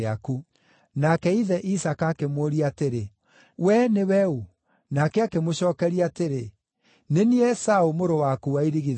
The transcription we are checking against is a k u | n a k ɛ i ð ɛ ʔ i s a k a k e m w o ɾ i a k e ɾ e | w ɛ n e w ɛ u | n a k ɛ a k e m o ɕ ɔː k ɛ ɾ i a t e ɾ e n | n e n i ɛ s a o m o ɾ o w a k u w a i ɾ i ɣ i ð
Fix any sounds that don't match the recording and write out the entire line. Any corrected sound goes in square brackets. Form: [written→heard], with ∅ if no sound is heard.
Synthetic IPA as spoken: a k u | n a k ɛ i ð ɛ ʔ i s a k a k e m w o ɾ i a [k→t] e ɾ e | w ɛ n e w ɛ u | n a k ɛ a k e m o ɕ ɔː k ɛ ɾ i a t e ɾ e [n→∅] | n e n i ɛ s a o m o ɾ o w a k u w a i ɾ i ɣ i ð